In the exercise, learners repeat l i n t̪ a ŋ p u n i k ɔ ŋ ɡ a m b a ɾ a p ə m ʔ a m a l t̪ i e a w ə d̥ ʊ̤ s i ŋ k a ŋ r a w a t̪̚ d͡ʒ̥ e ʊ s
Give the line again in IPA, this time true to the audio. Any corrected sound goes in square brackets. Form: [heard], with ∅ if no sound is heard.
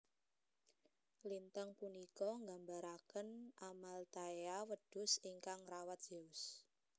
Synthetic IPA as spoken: l i n t̪ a ŋ p u n i k ɔ ŋ ɡ a m b a ɾ a [k] ə [n] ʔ a m a l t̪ [a] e a w ə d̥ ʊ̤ s i ŋ k a ŋ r a w a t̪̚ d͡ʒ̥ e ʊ s